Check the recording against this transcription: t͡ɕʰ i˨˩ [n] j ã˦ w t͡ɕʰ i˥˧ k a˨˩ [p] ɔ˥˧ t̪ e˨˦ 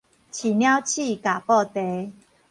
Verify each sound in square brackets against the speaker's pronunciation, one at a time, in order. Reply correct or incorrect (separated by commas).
correct, correct